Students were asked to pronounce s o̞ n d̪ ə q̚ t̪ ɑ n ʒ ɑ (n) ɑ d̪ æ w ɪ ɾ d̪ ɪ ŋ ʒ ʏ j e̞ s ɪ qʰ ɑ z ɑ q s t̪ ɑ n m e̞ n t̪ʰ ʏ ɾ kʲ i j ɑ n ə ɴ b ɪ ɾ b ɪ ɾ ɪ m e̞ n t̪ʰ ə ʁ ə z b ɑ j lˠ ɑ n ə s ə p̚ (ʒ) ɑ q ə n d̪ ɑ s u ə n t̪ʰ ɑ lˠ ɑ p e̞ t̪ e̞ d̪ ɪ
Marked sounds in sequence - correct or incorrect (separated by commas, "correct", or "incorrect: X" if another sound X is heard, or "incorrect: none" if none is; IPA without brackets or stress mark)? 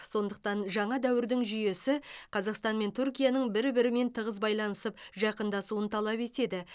incorrect: ɴ, correct